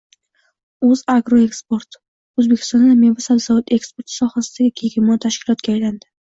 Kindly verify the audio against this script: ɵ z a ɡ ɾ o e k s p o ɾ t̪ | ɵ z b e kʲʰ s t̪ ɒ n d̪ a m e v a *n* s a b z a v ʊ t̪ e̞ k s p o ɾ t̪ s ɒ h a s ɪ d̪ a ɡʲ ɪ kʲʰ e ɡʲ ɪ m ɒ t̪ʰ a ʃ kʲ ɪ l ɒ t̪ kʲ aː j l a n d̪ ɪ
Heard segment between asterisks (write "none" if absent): none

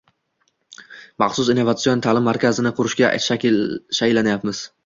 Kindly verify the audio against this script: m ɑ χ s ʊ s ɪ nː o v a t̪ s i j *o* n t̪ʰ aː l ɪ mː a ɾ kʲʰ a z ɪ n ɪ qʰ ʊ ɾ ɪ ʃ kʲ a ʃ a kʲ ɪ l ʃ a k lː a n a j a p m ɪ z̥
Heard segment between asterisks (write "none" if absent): o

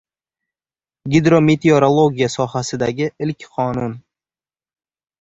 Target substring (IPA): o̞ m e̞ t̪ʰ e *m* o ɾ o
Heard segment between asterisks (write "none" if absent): none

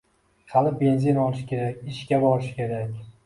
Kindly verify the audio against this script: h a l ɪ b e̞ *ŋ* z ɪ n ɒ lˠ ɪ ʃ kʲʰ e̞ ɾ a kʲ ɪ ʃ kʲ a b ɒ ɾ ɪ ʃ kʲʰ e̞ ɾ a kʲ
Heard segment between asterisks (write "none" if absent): n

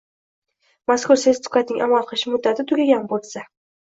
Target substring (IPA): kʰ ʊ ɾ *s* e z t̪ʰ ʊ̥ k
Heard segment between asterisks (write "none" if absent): s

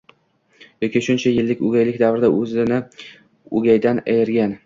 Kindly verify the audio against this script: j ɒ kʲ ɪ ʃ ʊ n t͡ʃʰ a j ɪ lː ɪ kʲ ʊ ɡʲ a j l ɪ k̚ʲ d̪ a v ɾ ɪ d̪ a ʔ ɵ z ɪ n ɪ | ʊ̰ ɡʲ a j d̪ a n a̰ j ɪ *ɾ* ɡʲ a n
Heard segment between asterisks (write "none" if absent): ɾ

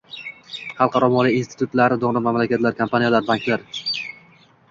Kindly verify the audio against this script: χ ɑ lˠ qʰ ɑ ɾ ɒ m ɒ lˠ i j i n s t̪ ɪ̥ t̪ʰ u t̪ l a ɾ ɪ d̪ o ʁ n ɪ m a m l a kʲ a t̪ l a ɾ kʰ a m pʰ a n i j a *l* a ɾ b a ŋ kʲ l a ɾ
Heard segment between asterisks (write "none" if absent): l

